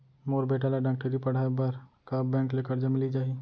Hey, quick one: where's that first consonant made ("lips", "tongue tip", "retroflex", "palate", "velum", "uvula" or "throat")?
lips